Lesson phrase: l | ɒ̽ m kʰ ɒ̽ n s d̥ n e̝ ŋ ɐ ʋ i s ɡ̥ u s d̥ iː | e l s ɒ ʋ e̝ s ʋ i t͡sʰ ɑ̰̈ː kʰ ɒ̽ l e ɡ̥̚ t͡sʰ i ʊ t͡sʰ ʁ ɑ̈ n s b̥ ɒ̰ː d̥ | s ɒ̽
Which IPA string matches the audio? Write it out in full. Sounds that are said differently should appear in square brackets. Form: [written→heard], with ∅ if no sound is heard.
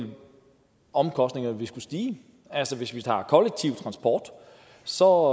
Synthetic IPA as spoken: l | ɒ̽ m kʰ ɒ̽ [n→∅] s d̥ n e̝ ŋ ɐ ʋ i s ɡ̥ u s d̥ iː | [e→æ] l s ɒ ʋ e̝ s ʋ i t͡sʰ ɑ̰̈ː kʰ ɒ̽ l e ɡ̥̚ t͡sʰ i ʊ t͡sʰ ʁ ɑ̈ n s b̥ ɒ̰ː d̥ | s ɒ̽